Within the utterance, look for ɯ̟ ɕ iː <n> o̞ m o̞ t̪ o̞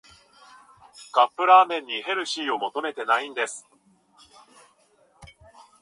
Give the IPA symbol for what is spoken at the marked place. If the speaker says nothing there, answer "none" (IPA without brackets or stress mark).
none